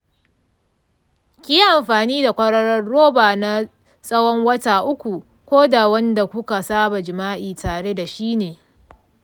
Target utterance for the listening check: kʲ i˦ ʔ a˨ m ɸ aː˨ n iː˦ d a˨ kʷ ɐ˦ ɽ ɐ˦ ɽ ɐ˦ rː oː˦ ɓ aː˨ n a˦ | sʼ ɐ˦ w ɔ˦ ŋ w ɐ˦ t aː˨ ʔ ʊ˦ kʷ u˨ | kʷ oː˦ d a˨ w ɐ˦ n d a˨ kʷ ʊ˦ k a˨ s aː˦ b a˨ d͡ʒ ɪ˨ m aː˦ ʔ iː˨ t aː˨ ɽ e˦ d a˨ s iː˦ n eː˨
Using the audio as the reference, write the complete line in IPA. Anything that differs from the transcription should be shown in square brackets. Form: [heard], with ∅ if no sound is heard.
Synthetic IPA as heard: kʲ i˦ ʔ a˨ m ɸ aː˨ n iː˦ d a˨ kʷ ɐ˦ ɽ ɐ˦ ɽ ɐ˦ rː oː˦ [b] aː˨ n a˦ | sʼ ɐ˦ w ɔ˦ ŋ w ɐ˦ t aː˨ ʔ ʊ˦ kʷ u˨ | kʷ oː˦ d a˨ w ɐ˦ n d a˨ kʷ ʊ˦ k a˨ s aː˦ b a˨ d͡ʒ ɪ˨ m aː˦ ʔ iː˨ t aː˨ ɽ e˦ d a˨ [ʃ] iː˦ n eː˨